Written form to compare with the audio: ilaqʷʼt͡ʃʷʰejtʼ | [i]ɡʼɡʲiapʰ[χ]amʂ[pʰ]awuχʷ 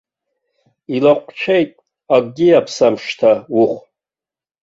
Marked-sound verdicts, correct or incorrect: incorrect, incorrect, incorrect

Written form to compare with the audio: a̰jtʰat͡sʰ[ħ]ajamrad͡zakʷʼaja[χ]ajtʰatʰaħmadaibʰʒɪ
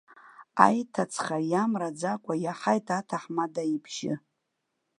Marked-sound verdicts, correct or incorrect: incorrect, incorrect

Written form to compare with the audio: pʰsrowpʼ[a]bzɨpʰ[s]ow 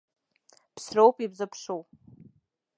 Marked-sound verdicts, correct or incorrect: incorrect, incorrect

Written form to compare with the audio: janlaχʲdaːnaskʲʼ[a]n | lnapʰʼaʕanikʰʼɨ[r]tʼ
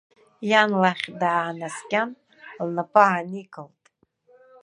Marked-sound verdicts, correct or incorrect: correct, incorrect

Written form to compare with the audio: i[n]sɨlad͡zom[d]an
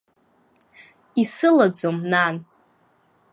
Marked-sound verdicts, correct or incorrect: incorrect, incorrect

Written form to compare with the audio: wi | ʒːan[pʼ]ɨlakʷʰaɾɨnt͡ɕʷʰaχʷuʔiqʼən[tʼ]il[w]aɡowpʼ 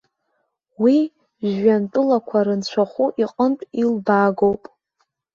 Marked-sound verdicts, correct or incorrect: incorrect, correct, incorrect

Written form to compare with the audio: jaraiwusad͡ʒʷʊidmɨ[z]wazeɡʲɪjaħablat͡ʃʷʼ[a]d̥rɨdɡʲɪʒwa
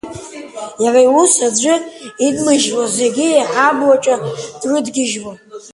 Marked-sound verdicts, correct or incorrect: incorrect, correct

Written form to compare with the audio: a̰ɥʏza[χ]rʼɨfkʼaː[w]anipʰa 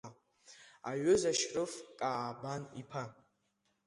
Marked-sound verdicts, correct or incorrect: incorrect, incorrect

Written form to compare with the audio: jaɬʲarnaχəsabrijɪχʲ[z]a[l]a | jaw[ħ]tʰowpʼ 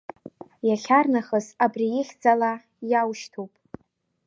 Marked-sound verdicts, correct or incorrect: incorrect, correct, incorrect

